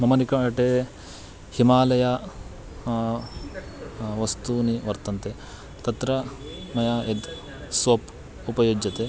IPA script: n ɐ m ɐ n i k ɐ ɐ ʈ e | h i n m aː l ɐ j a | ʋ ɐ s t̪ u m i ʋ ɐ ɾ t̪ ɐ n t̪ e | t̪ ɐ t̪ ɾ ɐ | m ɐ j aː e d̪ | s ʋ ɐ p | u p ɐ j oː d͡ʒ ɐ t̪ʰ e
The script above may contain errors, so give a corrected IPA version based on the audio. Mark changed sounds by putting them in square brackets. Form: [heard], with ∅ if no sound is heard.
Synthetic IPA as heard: [m] ɐ m ɐ n i k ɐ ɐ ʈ e | h i [∅] m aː l ɐ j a | ʋ ɐ s t̪ u [n] i ʋ ɐ ɾ t̪ ɐ n t̪ e | t̪ ɐ t̪ ɾ ɐ | m ɐ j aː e d̪ | s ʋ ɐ p | u p ɐ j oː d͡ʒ ɐ [t̪] e

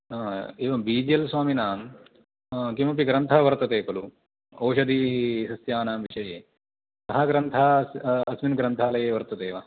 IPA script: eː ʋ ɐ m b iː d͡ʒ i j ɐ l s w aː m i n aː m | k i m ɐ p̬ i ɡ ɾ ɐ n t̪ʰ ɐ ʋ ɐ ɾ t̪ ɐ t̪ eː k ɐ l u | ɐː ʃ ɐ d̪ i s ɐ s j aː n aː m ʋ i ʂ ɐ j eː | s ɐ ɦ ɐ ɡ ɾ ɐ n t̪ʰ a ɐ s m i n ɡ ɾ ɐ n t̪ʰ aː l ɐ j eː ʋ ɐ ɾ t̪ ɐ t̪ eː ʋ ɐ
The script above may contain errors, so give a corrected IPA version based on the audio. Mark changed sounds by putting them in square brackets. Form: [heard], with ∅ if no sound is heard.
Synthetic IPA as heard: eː ʋ ɐ m b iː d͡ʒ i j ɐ l s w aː m i n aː m | k i m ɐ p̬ i ɡ ɾ ɐ n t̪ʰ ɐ ʋ ɐ ɾ t̪ ɐ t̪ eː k ɐ l u | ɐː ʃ ɐ d̪ i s ɐ s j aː n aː m ʋ i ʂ ɐ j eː | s ɐ ɦ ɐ ɡ ɾ ɐ n t̪ʰ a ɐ s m i n ɡ ɾ ɐ n t̪ʰ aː l ɐ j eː ʋ ɐ ɾ t̪ ɐ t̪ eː ʋ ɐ

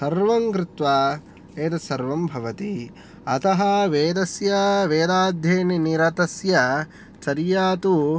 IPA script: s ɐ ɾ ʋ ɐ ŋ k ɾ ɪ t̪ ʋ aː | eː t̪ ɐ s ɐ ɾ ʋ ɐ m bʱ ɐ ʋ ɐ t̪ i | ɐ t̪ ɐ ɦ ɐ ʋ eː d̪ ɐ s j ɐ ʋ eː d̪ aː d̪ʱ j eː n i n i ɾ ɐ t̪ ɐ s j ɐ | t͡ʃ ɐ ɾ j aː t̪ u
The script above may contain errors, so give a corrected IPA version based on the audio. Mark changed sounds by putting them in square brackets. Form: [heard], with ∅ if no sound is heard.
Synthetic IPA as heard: s ɐ ɾ ʋ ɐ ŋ k ɾ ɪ t̪ ʋ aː | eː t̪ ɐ s ɐ ɾ ʋ ɐ m bʱ ɐ ʋ ɐ t̪ i | ɐ t̪ ɐ ɦ ɐ ʋ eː d̪ ɐ s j ɐ ʋ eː d̪ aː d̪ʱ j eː n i n i ɾ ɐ t̪ ɐ s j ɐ | t͡ʃ ɐ ɾ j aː t̪ u

